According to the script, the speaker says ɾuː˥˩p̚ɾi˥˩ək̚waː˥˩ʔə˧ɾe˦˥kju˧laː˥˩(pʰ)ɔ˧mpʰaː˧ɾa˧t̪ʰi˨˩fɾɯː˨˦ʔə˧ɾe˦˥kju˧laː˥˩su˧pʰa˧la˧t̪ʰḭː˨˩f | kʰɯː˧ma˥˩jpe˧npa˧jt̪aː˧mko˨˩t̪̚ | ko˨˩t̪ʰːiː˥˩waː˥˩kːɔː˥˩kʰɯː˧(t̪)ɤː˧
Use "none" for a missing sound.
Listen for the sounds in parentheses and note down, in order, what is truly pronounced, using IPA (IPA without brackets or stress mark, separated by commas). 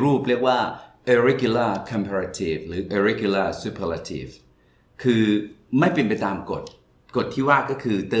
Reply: kʰ, t̪